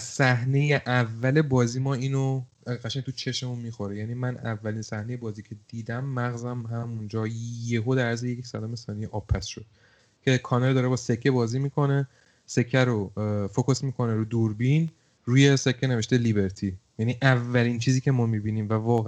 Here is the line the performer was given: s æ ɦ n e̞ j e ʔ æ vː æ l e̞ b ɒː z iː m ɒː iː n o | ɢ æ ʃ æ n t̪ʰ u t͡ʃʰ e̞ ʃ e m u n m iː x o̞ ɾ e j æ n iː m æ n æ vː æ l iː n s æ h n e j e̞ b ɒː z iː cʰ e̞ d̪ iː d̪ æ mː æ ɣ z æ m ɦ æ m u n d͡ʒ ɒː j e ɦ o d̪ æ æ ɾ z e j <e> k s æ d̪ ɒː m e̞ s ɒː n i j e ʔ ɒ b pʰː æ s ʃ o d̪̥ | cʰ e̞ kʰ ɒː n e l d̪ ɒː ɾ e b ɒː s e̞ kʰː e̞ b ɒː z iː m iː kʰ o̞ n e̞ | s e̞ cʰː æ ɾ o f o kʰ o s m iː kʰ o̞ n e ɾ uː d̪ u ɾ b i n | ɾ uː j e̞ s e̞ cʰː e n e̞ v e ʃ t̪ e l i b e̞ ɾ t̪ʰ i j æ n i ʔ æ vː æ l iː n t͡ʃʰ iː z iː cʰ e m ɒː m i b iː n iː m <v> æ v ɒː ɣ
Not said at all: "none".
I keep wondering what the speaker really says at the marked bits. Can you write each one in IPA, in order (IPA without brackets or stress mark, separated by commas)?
e, v